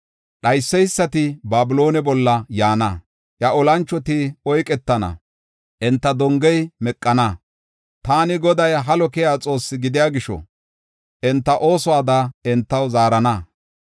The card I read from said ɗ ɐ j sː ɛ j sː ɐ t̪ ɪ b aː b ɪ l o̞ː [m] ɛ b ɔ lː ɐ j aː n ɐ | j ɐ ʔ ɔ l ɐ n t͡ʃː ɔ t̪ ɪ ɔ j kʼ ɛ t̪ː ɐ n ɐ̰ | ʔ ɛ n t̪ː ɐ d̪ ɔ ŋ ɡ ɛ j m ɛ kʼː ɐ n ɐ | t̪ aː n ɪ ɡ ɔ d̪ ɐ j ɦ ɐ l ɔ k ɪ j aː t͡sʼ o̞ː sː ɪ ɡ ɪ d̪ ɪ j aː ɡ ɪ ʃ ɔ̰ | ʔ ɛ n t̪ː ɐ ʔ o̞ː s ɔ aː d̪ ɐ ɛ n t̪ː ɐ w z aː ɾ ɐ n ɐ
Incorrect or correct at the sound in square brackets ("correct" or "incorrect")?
incorrect